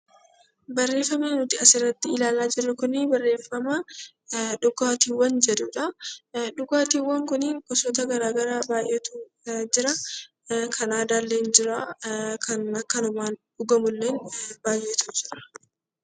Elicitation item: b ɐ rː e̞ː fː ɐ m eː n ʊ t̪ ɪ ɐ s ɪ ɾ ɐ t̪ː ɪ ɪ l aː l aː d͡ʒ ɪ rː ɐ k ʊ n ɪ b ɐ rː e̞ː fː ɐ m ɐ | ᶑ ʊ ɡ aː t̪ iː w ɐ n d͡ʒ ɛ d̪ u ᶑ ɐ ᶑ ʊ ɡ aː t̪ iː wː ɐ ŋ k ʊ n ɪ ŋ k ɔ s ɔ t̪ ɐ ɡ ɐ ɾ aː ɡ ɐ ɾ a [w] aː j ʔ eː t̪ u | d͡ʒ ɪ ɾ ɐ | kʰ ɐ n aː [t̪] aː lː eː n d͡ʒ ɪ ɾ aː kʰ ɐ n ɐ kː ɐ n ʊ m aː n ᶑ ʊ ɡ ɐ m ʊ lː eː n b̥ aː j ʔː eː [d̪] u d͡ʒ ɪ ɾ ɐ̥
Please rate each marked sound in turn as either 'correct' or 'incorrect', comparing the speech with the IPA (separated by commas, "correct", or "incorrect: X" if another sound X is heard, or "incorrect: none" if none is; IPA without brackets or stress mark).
incorrect: b, incorrect: d̪, incorrect: t̪